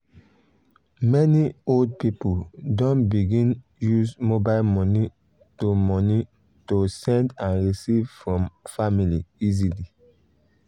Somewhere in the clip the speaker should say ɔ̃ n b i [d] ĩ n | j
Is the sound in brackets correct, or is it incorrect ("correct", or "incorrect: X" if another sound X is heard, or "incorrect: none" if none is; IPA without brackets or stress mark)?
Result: incorrect: ɡ